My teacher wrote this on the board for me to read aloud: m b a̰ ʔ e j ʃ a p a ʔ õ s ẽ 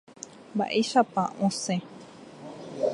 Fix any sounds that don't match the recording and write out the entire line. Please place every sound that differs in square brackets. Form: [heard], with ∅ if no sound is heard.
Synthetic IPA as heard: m b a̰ ʔ e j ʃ a p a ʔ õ s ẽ